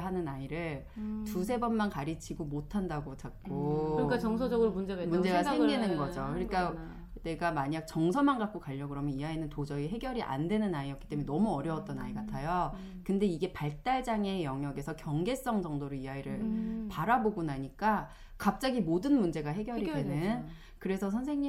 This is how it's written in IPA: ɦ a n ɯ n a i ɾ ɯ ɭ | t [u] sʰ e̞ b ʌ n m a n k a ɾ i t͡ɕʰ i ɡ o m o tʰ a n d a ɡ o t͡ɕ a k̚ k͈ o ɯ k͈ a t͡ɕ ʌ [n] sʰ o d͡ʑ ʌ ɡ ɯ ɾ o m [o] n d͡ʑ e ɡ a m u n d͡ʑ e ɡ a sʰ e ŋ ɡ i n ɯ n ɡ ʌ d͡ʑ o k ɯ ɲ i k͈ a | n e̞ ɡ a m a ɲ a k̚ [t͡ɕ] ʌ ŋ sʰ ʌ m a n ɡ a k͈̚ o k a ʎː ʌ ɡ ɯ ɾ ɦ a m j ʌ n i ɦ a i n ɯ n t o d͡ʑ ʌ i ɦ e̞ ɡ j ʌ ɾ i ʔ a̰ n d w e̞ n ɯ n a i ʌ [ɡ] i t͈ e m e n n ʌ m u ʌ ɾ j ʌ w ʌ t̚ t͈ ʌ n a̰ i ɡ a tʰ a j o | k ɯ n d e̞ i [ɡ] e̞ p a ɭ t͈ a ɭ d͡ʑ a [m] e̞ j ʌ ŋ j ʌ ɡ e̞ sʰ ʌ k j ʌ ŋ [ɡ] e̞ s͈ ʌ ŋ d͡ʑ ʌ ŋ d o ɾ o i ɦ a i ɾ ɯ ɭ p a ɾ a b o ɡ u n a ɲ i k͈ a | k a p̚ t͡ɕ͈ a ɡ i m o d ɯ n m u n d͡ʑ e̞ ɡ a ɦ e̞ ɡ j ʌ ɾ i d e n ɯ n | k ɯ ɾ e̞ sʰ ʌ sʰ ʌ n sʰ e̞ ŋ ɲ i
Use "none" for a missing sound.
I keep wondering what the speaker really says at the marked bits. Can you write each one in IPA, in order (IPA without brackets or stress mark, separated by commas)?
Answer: u, ŋ, u, t͡ɕ, k, ɡ, ŋ, ɡ